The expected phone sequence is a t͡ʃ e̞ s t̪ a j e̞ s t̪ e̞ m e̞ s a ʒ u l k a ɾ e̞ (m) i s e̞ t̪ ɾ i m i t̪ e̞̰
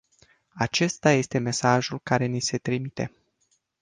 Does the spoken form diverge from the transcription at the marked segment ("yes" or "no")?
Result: yes